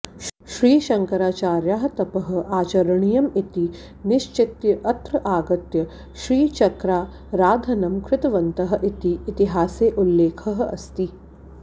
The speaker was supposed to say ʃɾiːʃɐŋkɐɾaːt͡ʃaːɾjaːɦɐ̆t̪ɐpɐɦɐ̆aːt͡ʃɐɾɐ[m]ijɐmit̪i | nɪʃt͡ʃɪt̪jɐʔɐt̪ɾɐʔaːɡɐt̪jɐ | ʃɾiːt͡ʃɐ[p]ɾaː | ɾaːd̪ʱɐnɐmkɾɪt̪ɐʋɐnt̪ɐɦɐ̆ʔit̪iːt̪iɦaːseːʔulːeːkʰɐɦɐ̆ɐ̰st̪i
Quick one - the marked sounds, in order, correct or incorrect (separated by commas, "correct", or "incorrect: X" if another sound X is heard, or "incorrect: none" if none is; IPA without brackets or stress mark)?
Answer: incorrect: ɳ, incorrect: k